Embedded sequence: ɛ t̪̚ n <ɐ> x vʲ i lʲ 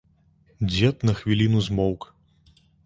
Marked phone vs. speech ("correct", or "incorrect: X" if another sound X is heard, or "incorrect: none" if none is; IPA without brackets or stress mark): correct